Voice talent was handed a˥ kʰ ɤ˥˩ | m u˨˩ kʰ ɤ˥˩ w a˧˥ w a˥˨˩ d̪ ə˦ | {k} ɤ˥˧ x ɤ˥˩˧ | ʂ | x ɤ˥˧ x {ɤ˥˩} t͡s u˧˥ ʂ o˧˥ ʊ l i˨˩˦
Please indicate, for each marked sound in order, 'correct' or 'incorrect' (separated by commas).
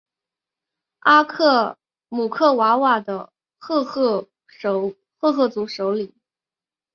incorrect, correct